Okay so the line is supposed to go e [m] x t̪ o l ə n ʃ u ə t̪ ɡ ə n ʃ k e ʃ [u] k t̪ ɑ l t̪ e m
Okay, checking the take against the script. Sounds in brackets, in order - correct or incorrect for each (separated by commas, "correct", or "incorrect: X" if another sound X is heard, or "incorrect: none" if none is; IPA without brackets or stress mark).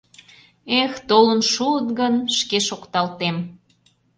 incorrect: none, incorrect: o